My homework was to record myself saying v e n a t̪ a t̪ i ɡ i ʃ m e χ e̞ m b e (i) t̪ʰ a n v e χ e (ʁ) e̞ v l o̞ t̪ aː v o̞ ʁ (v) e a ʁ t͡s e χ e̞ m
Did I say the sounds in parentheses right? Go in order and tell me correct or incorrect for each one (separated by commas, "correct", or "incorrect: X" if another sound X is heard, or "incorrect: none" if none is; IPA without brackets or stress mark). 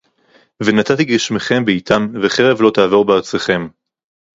correct, correct, incorrect: b